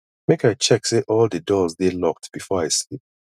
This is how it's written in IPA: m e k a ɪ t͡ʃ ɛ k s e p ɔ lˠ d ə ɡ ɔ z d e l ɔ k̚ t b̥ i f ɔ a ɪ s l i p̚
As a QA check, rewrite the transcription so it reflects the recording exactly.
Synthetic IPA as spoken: m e k a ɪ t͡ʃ ɛ k s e ʔ ɔ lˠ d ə d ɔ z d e l ɔ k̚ t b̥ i f ɔ a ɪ s l i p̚

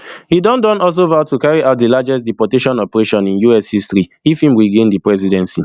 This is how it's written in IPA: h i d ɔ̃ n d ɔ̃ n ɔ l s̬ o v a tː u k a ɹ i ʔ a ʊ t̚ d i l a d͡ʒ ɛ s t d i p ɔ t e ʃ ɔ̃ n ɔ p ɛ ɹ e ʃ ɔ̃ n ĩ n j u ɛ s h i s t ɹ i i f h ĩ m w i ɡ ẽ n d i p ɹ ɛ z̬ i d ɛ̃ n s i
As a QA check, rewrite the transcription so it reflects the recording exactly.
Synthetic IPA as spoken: h i d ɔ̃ n d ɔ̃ n ɔ l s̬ o v a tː u k a ɹ i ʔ a ʊ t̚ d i l a d͡ʒ ɛ s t d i p ɔ t e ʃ ɔ̃ n ɔ p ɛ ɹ e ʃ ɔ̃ n ĩ n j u ɛ s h i s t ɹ i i f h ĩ m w i ɡ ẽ n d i p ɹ ɛ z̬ i d ɛ̃ n s i

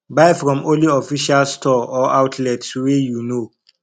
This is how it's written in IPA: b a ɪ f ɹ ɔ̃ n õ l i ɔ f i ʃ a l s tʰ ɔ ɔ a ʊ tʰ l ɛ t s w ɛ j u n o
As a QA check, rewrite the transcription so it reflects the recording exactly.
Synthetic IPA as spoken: b a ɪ f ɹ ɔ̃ m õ l i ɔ f i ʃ a l s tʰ ɔ ɔ a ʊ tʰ l ɛ t s w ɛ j u n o

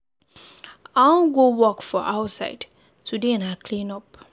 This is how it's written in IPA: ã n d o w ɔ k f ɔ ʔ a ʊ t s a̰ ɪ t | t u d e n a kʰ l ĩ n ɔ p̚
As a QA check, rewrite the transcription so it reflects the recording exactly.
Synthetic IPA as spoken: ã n ɡ o w ɔ k f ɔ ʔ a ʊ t s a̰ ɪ d | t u d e n a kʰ l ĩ n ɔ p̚

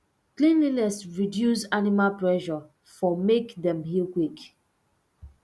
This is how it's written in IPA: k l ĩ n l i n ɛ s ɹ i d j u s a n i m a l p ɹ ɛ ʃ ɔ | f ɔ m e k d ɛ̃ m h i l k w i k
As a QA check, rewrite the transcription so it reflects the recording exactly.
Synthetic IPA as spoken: k l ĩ n l i n ɛ s ɹ i d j u s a n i m a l p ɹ ɛ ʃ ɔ | f ɔ m e k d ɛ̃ m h i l k w i k

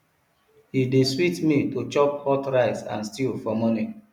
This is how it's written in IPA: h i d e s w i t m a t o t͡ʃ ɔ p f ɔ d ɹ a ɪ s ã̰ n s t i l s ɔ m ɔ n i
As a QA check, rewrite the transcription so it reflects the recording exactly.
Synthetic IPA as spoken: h i d e s w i t m i t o t͡ʃ ɔ p h ɔ t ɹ a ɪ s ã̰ n s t i l f ɔ m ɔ n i

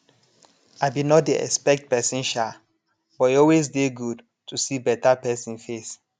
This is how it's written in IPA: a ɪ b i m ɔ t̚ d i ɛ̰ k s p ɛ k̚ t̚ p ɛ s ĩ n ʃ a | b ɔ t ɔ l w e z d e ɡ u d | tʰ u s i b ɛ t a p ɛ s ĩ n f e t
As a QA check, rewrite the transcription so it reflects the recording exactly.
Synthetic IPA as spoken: a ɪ b i n ɔ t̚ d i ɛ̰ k s p ɛ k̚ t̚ p ɛ s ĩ n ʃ a | b ɔ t ɔ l w e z d e ɡ u d | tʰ u s i b ɛ t a p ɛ s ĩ n f e s

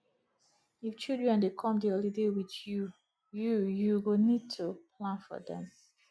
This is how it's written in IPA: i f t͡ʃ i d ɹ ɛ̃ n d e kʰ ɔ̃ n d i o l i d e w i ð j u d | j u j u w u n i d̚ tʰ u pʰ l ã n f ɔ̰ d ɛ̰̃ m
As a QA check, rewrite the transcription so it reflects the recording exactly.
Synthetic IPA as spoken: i f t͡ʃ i d ɹ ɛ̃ n d e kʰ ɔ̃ m d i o l i d e w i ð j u | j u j u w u n i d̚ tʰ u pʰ l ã n f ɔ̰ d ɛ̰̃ m

